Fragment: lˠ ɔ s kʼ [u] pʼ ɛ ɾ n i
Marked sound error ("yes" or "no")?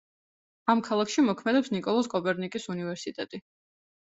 yes